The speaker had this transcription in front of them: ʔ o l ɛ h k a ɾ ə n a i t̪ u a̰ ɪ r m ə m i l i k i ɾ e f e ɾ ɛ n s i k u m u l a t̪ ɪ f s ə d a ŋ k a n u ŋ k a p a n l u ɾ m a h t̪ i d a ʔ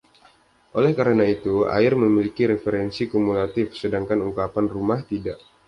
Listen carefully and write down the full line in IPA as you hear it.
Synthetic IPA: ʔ o l ɛ h k a ɾ ə n a i t̪ u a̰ ɪ r m ə m i l i k i ɾ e f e ɾ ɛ n s i k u m u l a t̪ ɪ f s ə d a ŋ k a n u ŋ k a p a n r u m a h t̪ i d a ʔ